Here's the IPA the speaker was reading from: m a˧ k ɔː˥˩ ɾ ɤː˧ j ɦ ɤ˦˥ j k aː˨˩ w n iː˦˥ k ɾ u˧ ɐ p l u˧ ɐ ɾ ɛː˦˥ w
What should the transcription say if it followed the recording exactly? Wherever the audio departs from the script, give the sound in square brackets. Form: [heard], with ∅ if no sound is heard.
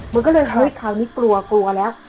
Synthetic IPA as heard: m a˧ k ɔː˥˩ [l] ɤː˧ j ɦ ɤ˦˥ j [kʰ] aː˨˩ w n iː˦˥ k [l] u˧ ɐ [k] l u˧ ɐ [l] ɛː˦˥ w